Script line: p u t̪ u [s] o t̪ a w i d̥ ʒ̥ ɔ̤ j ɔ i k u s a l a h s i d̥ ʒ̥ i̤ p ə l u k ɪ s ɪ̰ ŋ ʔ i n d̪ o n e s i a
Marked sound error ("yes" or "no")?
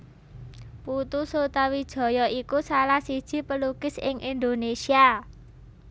no